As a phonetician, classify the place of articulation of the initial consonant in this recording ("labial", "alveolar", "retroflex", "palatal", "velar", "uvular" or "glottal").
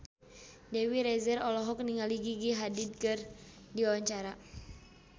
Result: alveolar